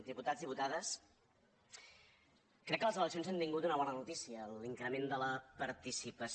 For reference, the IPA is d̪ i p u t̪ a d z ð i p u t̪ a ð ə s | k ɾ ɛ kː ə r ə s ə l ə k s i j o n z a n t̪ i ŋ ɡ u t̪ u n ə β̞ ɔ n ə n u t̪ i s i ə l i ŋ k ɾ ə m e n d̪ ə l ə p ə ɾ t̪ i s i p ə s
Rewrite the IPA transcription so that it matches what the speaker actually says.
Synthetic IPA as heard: d̪ i p u t̪ a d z ð i p u t̪ a ð ə s | k ɾ ɛ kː ə l ə z ə l ə k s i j o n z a n t̪ i ŋ ɡ u t̪ u n ə β̞ ɔ n ə n u t̪ i s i ə l i ŋ k ɾ ə m e n d̪ ə l ə p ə ɾ t̪ i s i p ə s